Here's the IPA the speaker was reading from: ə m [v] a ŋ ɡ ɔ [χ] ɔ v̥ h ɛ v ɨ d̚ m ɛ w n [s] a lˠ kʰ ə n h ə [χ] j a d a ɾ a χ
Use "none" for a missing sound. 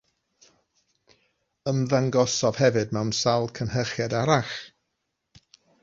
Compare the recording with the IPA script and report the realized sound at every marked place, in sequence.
ð, s, s, χ

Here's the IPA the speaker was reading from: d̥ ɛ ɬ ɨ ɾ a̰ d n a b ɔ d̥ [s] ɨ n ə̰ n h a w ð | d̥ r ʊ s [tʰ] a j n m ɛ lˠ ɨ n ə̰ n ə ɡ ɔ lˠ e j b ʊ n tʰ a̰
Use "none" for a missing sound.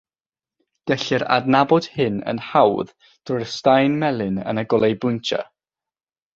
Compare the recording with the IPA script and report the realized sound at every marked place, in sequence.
h, t

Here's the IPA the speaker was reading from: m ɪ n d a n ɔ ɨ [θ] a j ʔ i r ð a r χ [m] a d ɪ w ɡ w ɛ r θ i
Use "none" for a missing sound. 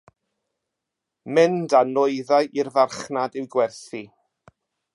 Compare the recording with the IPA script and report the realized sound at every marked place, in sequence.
ð, n

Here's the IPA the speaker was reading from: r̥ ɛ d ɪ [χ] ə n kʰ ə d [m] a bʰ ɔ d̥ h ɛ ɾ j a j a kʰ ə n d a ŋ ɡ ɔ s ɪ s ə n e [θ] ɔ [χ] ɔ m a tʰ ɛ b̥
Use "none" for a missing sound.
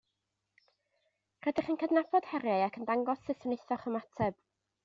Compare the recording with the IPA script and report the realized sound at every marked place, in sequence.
χ, n, θ, χ

